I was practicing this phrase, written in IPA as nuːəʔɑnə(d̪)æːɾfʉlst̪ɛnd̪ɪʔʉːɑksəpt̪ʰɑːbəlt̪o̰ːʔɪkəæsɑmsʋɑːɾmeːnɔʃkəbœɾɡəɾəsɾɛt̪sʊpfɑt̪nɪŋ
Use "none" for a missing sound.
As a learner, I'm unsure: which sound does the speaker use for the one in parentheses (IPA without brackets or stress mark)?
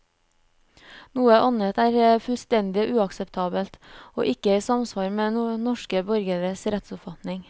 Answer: t̪